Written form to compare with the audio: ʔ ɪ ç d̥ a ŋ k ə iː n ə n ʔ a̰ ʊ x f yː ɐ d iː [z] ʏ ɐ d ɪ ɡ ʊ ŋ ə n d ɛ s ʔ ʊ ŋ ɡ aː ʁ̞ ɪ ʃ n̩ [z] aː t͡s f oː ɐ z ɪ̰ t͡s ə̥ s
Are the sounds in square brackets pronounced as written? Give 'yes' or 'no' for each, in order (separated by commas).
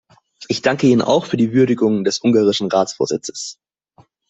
no, no